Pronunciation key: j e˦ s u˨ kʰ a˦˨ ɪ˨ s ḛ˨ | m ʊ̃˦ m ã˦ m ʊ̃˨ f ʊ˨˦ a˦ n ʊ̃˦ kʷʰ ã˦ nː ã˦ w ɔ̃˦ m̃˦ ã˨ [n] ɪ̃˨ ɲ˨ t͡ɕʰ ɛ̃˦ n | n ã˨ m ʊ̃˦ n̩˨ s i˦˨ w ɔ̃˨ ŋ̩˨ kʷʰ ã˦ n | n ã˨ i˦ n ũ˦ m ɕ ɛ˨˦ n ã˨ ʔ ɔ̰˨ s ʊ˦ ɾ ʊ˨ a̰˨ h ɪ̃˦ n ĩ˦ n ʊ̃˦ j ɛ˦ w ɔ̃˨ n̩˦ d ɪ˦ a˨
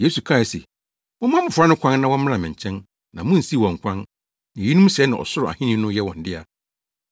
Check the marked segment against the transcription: incorrect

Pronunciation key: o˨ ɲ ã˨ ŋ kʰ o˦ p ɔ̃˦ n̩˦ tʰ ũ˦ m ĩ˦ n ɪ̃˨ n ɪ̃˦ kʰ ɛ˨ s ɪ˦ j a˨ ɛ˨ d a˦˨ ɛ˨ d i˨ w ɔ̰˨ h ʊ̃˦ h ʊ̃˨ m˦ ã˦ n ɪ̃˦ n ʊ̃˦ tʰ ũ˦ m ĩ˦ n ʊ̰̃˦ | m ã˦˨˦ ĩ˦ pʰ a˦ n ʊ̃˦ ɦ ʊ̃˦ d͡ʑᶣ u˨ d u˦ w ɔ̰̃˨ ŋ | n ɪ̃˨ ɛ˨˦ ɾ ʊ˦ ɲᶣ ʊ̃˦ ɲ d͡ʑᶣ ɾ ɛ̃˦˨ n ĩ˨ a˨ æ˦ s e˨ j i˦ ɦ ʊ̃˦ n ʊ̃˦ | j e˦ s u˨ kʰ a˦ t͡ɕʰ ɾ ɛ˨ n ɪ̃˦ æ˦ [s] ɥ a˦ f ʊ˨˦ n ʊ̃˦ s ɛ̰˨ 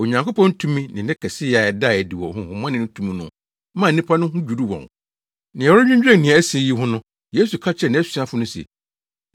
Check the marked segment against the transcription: correct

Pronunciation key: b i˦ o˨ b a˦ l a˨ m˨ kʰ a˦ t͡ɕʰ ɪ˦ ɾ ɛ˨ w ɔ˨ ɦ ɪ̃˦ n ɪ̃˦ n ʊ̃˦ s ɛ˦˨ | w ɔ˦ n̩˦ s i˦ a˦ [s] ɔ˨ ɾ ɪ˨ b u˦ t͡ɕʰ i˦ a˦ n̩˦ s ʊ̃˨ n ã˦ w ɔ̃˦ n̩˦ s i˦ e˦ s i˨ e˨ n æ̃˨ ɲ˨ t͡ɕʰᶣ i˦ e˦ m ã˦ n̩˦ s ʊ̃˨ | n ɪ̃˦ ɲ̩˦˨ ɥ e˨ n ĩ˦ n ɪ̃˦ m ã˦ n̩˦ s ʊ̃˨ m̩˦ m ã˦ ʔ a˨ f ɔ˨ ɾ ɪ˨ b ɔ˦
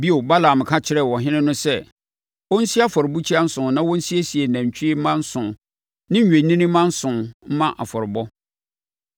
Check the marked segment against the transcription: incorrect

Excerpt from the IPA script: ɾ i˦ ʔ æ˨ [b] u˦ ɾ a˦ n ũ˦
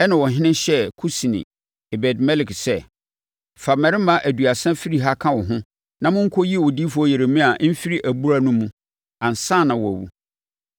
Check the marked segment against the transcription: correct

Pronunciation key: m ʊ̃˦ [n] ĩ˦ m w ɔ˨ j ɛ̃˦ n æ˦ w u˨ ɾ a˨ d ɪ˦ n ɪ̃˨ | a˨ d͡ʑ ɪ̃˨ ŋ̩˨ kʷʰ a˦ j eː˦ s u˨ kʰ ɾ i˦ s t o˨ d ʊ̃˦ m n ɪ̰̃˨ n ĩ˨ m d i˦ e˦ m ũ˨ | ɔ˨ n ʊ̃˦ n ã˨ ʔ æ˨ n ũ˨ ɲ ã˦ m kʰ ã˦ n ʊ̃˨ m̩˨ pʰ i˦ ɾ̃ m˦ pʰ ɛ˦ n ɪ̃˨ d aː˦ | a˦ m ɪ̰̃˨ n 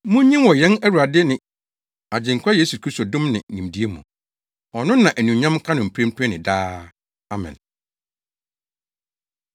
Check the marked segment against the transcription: incorrect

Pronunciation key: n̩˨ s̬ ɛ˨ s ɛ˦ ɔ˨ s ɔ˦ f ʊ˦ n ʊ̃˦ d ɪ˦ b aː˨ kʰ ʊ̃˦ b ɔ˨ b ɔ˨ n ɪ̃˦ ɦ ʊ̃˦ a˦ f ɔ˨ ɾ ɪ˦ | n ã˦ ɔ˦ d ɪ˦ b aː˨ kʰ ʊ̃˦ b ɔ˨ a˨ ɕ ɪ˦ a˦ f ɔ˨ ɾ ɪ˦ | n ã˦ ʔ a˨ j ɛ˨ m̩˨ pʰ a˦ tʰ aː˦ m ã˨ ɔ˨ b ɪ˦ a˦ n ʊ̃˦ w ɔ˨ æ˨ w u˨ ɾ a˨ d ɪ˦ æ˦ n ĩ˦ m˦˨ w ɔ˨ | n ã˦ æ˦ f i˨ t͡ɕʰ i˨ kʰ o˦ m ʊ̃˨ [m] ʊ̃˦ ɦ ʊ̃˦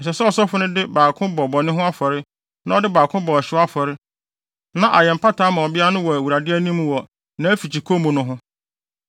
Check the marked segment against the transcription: incorrect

